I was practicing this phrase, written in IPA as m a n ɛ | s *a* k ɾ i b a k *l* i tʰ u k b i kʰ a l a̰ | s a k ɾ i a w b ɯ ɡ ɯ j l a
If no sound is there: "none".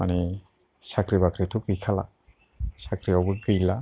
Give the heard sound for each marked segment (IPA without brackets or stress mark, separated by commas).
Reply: a, ɾ